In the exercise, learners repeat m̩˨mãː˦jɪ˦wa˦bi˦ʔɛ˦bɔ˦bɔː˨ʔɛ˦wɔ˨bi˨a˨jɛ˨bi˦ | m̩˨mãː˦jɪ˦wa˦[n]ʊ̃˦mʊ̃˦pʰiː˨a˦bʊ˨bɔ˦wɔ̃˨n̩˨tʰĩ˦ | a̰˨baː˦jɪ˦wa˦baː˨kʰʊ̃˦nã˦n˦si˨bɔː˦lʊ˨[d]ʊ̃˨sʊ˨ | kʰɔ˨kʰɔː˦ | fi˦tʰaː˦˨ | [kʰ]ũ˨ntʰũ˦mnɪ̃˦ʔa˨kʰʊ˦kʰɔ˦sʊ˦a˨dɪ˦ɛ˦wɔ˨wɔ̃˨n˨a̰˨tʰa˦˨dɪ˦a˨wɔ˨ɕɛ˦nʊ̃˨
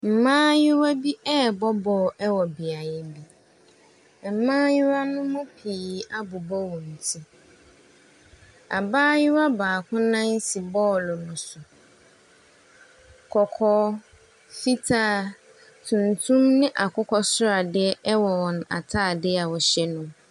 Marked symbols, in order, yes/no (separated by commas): yes, no, no